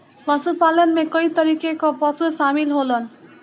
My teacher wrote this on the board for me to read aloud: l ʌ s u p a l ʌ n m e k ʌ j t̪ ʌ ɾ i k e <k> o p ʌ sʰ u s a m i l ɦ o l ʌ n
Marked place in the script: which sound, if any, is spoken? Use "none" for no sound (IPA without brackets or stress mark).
k